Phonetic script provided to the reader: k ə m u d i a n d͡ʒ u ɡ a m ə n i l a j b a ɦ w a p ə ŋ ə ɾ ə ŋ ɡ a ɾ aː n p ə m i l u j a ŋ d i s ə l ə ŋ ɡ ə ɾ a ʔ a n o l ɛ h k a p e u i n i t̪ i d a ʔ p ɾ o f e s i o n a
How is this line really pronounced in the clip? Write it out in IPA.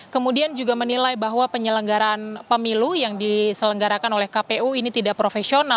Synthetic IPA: k ə m u d i a n d͡ʒ u ɡ a m ə n i l a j b a ɦ w a p ə ɲ ə l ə ŋ ɡ a ɾ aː n p ə m i l u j a ŋ d i s ə l ə ŋ ɡ a ɾ a k a n o l ɛ h k a p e u i n i t̪ i d a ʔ p ɾ o f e s i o n a